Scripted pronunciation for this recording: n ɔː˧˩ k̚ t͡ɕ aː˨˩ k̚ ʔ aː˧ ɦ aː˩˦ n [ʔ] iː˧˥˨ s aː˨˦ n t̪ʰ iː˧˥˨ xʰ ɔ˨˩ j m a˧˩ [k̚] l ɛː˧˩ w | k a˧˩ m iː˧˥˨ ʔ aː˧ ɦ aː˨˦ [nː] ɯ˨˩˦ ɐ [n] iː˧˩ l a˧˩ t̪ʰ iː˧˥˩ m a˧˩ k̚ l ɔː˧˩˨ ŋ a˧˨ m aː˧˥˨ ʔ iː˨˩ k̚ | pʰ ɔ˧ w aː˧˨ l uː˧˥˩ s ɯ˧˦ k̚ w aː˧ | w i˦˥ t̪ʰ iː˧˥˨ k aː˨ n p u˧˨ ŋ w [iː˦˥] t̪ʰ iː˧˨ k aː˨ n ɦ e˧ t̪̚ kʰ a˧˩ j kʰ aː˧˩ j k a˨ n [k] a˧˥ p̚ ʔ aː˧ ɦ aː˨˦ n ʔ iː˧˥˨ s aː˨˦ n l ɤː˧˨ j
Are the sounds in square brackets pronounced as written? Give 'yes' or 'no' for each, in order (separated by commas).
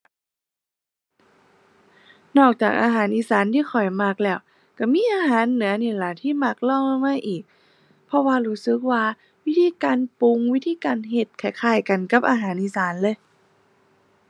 yes, yes, yes, yes, no, yes